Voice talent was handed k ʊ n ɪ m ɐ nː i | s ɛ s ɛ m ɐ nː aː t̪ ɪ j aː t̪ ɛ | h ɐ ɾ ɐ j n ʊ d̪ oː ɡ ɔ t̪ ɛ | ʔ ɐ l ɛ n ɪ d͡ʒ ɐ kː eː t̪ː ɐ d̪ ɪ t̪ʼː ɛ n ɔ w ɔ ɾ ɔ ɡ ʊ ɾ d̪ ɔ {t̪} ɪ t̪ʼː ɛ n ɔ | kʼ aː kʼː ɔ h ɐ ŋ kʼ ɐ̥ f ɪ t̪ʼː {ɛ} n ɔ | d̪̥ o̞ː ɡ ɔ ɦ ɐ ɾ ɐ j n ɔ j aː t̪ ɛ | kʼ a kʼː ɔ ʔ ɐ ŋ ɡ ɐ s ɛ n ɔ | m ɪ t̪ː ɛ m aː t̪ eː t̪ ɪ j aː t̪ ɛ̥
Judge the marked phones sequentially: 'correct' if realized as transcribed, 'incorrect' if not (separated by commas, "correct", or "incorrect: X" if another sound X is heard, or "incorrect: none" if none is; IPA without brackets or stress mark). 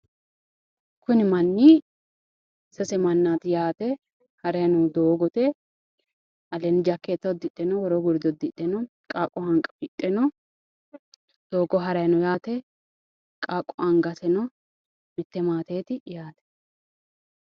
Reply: incorrect: d̪, correct